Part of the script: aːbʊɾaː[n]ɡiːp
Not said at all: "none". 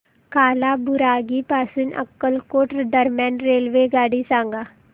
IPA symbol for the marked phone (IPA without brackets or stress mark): none